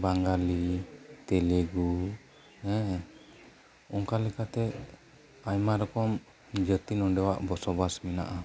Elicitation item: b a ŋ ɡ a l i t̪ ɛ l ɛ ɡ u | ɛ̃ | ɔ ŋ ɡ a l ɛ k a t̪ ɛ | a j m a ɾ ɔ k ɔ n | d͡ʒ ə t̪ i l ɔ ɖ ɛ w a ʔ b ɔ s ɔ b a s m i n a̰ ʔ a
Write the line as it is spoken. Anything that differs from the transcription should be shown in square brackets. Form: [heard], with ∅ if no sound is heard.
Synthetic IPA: b a ŋ ɡ a l i t̪ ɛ l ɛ ɡ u | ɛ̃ | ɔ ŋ [k] a l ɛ k a t̪ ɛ | a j m a ɾ ɔ k ɔ [m] | d͡ʒ ə t̪ i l ɔ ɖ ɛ w a ʔ b ɔ s ɔ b a s m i n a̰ ʔ a